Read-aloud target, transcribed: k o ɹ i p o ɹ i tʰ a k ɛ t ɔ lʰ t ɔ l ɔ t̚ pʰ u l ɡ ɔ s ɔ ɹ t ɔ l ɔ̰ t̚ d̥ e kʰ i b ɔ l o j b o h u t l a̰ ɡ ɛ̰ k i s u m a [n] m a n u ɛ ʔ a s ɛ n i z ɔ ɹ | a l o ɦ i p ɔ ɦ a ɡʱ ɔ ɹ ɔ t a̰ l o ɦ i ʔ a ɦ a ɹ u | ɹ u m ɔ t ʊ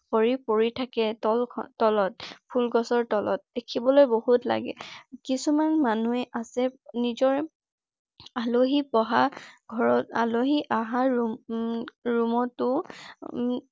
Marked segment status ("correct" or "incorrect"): correct